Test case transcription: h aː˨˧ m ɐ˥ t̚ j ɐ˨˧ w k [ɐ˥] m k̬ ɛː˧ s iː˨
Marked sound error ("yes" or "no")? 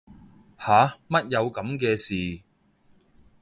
yes